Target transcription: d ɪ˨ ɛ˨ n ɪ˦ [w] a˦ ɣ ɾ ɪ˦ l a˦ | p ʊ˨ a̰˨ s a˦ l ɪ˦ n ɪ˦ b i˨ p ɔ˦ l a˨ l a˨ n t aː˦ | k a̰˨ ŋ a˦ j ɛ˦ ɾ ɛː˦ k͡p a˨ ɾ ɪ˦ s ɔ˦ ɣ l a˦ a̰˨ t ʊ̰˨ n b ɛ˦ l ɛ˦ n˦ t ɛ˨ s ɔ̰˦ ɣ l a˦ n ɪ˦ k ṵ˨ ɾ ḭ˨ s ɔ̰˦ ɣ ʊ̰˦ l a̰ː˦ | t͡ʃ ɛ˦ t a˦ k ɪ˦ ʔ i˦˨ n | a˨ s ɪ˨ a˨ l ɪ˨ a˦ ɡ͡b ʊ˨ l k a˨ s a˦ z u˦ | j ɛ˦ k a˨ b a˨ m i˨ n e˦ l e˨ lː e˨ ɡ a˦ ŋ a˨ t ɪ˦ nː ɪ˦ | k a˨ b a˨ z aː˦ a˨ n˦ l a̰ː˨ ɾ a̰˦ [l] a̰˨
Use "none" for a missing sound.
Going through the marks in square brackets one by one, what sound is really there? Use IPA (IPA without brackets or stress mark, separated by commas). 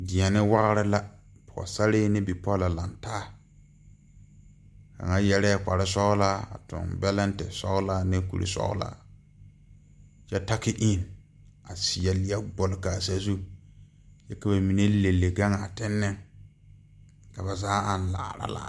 w, l